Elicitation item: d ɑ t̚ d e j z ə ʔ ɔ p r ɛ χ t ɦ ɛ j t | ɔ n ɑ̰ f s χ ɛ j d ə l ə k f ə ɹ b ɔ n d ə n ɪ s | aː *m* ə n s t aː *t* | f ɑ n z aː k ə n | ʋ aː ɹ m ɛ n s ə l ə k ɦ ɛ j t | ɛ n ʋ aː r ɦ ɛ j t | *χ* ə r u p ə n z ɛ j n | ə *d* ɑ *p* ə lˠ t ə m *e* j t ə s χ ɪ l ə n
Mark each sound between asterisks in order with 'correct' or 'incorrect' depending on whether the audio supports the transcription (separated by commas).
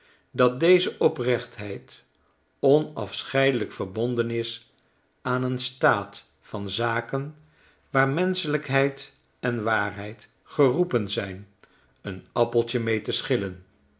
incorrect, correct, correct, incorrect, correct, correct